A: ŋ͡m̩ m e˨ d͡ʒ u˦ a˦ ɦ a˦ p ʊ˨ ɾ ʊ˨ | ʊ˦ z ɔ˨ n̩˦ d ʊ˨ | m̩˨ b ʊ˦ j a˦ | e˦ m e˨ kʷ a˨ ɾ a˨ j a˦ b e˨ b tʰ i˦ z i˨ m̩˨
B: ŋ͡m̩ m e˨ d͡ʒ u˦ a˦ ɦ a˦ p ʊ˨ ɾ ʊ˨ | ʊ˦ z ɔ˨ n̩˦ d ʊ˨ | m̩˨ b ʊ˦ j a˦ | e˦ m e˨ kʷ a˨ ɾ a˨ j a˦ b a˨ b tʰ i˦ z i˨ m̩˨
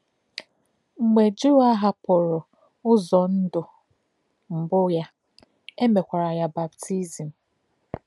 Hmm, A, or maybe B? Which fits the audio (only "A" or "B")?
B